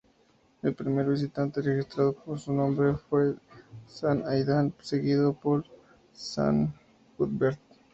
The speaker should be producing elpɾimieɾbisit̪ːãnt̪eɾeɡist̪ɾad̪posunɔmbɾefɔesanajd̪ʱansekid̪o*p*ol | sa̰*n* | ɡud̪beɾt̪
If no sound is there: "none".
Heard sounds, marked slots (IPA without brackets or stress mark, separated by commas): p, n